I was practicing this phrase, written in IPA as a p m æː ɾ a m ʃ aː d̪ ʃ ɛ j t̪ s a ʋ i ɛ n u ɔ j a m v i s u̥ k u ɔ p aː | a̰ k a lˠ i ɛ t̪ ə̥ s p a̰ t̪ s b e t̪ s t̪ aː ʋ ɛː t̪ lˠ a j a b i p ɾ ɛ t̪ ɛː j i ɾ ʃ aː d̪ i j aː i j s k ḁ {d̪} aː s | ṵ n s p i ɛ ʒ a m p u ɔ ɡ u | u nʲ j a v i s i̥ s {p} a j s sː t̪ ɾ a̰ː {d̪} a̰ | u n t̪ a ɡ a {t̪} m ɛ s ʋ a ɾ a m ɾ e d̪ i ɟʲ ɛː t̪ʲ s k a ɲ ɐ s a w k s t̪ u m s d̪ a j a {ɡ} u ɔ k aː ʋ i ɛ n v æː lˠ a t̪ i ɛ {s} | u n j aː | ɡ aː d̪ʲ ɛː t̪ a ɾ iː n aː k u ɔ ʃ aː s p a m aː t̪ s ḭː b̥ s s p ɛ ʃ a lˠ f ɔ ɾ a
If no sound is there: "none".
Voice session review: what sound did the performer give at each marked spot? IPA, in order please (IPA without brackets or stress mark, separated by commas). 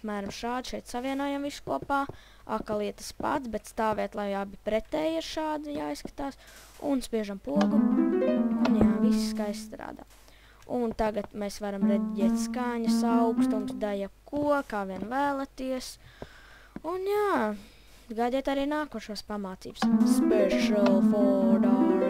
t̪, k, d̪, t̪, k, s